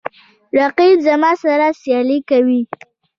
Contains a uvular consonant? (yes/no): yes